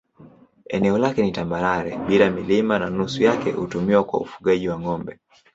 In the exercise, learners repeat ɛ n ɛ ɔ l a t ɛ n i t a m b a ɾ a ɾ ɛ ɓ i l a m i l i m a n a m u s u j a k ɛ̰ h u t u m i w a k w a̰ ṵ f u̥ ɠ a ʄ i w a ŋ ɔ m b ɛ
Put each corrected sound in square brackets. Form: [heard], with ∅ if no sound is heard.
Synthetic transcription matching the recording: ɛ n ɛ ɔ l a [k] ɛ n i t a m b a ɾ a ɾ ɛ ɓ i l a m i l i m a n a [n] u s u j a k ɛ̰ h u t u m i w a k w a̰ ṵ f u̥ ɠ a ʄ i w a ŋ ɔ m b ɛ